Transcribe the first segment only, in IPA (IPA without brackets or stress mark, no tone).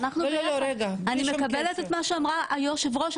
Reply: n